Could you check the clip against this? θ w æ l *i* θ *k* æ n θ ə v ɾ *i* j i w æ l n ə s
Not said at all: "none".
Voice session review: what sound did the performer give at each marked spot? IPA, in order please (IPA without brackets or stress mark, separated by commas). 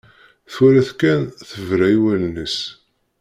æ, k, æ